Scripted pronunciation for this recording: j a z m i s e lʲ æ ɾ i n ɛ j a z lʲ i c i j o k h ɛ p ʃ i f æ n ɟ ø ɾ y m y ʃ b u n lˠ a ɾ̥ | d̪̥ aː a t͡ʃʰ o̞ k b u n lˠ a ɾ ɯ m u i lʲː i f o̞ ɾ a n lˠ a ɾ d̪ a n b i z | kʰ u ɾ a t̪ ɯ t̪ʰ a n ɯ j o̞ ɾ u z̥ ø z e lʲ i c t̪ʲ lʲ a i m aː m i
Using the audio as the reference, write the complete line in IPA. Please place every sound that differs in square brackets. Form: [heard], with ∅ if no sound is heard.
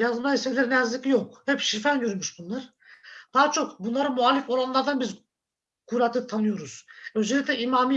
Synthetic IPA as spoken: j a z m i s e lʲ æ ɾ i n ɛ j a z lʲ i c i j o k h ɛ p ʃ i f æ n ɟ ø ɾ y m y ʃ b u n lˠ a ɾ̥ | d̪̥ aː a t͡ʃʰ o̞ k b u n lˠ a ɾ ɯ m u [a] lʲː i f o̞ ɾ a n lˠ a ɾ d̪ a n b i z | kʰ u ɾ a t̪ ɯ t̪ʰ a n ɯ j o̞ ɾ u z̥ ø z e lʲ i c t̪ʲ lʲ [ɛ] i m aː m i